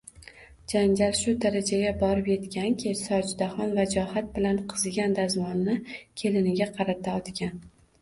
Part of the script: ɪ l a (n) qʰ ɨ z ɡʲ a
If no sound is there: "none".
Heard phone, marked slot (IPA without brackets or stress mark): n